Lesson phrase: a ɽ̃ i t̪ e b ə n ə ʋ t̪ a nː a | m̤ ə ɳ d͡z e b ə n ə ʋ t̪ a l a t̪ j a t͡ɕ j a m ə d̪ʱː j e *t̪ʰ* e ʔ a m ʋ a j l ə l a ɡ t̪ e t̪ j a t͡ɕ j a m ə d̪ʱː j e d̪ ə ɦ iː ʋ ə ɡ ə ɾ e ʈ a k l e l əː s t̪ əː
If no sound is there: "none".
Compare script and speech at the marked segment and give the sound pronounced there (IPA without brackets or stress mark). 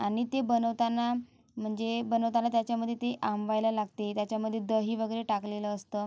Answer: t̪